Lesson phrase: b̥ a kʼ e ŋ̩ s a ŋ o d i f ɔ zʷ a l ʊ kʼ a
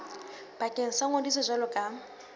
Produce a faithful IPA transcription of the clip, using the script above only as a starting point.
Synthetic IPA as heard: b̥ a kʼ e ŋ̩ s a ŋ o d i s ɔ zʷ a l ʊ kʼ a